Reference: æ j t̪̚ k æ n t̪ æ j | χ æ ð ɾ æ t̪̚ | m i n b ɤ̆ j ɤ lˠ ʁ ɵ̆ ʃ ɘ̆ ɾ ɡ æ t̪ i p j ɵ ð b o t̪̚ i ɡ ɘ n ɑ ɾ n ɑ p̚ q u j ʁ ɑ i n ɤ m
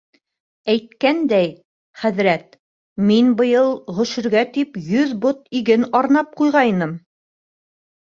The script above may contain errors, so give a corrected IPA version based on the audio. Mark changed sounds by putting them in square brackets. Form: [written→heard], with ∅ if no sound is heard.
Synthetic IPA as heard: æ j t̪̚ k æ n [t̪→d̪] æ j | χ æ ð ɾ æ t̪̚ | m i n b ɤ̆ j ɤ lˠ ʁ ɵ̆ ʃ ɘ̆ ɾ ɡ æ t̪ i p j ɵ ð b o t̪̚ i ɡ ɘ n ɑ ɾ n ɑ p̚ q u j ʁ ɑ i n ɤ m